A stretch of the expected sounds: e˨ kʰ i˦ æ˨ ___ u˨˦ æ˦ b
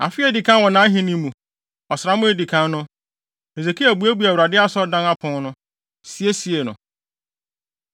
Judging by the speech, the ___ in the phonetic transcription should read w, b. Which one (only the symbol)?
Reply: b